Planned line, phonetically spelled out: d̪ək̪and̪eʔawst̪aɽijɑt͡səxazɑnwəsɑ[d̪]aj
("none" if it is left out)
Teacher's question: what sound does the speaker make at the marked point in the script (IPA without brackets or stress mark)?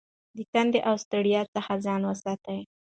t̪